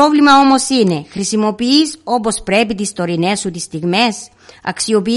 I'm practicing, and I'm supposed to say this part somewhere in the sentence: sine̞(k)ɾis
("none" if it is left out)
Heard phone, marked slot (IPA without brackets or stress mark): x